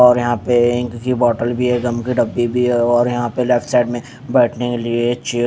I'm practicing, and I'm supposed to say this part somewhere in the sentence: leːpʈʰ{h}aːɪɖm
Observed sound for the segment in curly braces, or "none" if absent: s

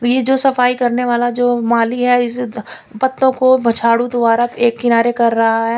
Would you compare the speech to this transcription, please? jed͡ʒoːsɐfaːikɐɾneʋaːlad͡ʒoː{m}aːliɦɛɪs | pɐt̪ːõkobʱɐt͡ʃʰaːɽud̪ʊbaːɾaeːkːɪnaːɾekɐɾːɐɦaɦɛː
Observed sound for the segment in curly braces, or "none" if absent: m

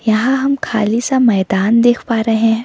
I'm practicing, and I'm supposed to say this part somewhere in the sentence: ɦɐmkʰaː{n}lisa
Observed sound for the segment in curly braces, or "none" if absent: none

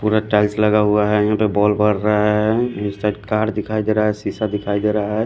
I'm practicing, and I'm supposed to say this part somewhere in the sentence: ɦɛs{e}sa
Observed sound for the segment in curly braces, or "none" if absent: i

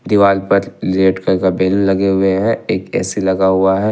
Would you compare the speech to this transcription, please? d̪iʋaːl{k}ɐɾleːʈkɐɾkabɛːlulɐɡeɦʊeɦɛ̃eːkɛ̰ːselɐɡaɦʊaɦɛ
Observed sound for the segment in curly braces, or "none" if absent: p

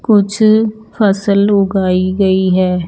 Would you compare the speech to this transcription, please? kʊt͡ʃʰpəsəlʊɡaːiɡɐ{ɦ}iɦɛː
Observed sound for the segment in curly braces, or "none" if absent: none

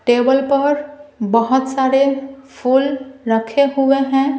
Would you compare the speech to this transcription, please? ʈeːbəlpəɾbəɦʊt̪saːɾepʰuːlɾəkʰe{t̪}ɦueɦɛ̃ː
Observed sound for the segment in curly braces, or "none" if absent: none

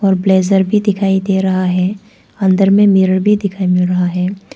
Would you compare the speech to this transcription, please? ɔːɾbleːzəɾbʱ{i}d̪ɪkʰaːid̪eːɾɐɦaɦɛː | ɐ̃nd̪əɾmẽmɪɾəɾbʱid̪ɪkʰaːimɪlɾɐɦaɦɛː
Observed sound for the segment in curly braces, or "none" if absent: i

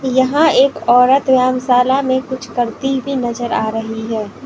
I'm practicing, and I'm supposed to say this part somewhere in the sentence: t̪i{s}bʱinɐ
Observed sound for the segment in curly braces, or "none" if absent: none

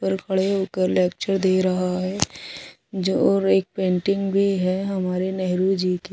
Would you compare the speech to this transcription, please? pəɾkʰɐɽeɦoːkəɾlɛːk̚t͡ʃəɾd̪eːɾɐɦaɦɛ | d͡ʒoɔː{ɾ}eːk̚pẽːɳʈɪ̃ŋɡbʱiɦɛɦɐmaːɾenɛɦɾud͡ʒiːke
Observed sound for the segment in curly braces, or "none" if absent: ɾ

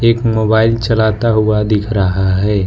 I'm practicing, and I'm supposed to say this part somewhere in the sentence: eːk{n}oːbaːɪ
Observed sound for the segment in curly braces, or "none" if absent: m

